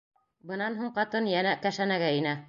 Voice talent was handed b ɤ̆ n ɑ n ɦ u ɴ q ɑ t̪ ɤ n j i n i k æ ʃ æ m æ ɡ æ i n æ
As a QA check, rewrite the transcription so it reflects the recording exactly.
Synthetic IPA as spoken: b ɤ̆ n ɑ n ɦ u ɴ q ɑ t̪ ɤ n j æ n æ k æ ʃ æ n æ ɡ æ i n æ